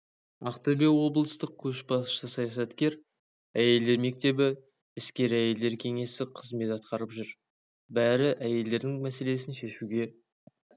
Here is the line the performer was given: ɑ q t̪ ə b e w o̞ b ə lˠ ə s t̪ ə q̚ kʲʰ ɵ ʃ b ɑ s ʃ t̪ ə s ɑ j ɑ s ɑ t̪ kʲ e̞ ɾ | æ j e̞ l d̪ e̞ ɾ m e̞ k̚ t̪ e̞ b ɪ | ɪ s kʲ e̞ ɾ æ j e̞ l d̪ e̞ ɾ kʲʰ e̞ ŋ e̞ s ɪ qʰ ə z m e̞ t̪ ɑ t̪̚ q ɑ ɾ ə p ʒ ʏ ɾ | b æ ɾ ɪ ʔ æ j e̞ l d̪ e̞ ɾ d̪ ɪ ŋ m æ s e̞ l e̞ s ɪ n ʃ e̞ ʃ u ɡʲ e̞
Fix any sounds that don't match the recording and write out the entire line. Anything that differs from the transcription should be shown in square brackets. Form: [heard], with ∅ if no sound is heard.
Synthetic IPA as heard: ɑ q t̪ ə b e w o̞ b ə lˠ ə s t̪ ə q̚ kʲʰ ɵ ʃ b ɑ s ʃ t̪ ə s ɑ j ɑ s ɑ t̪ kʲ e̞ ɾ | æ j e̞ l d̪ e̞ ɾ m e̞ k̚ t̪ e̞ b ɪ | ɪ s kʲ e̞ ɾ æ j e̞ l d̪ e̞ ɾ kʲʰ e̞ ŋ e̞ s ɪ qʰ ə z m e̞ t̪ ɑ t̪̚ q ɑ ɾ ə p ʒ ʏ ɾ | b æ ɾ ɪ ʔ æ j e̞ l d̪ e̞ ɾ d̪ ɪ ŋ m æ s e̞ l e̞ s ɪ n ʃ e̞ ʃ u ɡʲ e̞